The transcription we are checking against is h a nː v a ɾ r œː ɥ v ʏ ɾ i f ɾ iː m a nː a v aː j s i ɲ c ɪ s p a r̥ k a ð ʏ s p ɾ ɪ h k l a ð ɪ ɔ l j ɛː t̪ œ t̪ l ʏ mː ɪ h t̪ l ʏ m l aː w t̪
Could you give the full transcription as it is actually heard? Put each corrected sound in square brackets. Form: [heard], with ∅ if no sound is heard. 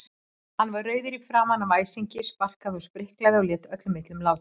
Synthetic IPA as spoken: h a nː v a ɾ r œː ɥ [ð] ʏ ɾ i f ɾ [aː] m a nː a v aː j s i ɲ c ɪ s p a r̥ k a ð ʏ s p ɾ ɪ h k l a ð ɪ ɔ l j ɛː t̪ œ t̪ l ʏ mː ɪ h t̪ l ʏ m l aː w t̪

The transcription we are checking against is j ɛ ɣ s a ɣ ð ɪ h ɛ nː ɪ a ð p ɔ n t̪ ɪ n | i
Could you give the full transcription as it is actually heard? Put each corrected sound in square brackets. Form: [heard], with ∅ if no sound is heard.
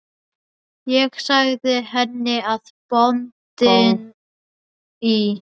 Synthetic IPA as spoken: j ɛ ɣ s a ɣ ð ɪ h ɛ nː ɪ a ð p ɔ n t̪ ɪ n | i

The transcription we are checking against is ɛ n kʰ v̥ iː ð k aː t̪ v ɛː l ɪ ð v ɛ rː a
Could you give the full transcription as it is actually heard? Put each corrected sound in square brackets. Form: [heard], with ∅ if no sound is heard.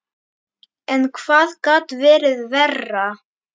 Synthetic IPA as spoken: ɛ n kʰ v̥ [aː] ð k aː t̪ v ɛː [ɾ] ɪ ð v ɛ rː a

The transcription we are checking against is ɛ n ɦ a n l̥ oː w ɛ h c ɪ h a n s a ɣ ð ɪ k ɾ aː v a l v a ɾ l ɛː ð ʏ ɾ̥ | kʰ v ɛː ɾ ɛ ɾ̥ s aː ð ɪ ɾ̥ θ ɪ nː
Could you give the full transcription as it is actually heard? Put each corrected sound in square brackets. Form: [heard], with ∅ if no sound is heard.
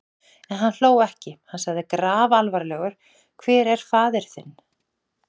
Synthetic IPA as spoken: ɛ n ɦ a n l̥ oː w ɛ h c ɪ h a n s a ɣ ð ɪ k ɾ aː v a l v a ɾ l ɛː [ɣ] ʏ ɾ̥ | kʰ v ɛː ɾ ɛ ɾ̥ [f] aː ð ɪ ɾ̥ θ ɪ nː

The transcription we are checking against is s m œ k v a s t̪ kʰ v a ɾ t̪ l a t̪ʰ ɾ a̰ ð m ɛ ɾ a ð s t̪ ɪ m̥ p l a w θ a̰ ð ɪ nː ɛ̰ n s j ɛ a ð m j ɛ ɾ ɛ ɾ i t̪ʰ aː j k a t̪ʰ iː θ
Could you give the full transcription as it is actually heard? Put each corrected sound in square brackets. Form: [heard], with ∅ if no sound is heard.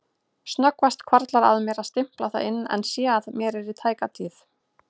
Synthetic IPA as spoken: s [n] œ k v a s t̪ kʰ v a ɾ t̪ l a [∅] ɾ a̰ ð m ɛ ɾ a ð s t̪ ɪ m̥ p l a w θ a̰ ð ɪ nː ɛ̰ n s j ɛ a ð m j ɛ ɾ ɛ ɾ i t̪ʰ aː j k a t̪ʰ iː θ

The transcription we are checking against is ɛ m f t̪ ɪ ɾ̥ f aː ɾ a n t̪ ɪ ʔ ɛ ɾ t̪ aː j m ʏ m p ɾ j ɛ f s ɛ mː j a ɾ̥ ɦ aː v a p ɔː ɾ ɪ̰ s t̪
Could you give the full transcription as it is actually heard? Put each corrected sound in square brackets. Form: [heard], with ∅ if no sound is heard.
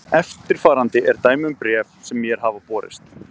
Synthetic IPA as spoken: ɛ [∅] f t̪ ɪ ɾ̥ f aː ɾ a n t̪ ɪ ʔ ɛ ɾ t̪ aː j m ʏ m p ɾ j ɛ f s ɛ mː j [ɛ] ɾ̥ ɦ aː v a p ɔː ɾ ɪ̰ s t̪

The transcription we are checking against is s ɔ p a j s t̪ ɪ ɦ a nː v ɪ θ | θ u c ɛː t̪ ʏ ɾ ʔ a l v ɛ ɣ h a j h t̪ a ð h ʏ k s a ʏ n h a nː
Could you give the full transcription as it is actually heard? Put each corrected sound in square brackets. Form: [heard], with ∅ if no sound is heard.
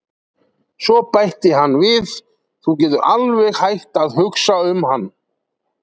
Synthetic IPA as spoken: s ɔ p a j [h] t̪ ɪ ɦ a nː v ɪ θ | θ u c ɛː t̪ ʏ ɾ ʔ a l v ɛ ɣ h a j h t̪ a ð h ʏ k s a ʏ [m] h a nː

